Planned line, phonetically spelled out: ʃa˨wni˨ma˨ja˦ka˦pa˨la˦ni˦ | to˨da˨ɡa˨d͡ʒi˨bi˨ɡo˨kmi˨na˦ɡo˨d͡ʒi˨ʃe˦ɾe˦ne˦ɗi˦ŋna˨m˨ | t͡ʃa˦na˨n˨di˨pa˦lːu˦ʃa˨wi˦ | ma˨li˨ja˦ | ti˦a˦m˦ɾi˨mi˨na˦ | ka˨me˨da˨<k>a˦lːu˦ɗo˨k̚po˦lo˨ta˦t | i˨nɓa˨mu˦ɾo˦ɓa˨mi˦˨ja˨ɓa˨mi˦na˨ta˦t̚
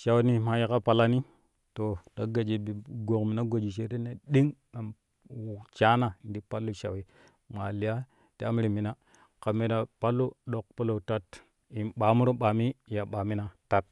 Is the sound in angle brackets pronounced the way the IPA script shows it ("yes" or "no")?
no